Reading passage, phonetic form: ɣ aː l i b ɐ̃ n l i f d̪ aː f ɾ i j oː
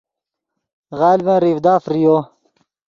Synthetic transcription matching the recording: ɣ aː l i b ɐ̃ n ɾ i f d̪ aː f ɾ i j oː